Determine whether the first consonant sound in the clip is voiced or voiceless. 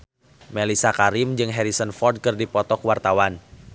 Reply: voiced